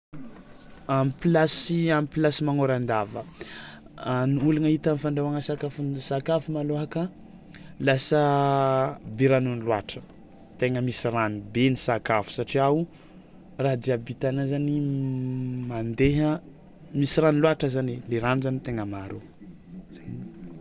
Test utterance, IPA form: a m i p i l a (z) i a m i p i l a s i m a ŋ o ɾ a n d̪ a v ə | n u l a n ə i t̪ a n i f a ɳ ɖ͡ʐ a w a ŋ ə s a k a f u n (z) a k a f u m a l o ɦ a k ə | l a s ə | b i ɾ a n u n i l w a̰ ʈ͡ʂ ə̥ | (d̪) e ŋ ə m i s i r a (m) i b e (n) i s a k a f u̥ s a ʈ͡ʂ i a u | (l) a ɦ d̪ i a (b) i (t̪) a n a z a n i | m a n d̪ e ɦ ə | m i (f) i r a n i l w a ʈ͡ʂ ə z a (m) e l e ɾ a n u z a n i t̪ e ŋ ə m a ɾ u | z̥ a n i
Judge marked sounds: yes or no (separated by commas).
no, no, no, no, yes, no, yes, yes, no, no